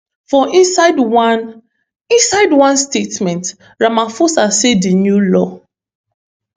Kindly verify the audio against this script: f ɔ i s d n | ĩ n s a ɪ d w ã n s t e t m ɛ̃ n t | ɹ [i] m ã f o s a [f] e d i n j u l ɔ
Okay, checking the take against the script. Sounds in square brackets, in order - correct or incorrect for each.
incorrect: a, incorrect: s

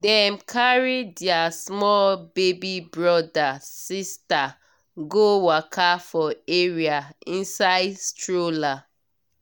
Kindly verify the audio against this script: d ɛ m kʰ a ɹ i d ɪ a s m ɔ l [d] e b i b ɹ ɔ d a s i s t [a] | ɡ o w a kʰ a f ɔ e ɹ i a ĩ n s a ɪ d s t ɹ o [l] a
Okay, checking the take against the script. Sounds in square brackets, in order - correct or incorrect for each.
incorrect: b, correct, correct

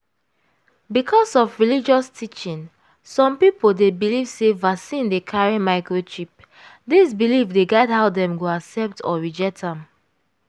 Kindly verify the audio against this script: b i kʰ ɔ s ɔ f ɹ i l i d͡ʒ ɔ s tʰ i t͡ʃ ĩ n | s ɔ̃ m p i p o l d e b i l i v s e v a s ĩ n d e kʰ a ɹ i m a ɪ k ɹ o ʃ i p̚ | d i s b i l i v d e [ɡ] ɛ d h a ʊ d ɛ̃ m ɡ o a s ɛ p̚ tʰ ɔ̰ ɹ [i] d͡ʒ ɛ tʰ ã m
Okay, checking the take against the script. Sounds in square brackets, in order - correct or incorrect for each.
correct, correct

